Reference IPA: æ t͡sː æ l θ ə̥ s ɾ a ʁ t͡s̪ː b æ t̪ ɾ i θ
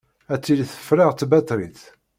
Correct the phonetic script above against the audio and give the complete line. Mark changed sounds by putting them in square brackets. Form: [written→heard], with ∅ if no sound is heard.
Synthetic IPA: æ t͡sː [æ→i] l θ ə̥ [s→f] ɾ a ʁ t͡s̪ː b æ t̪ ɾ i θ